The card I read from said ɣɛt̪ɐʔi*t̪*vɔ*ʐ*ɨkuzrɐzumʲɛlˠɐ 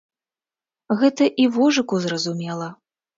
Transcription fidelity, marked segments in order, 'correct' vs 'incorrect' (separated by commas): incorrect, correct